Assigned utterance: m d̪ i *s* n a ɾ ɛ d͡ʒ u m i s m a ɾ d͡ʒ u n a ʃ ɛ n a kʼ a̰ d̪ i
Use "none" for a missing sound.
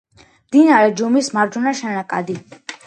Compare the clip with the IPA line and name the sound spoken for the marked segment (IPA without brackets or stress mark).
none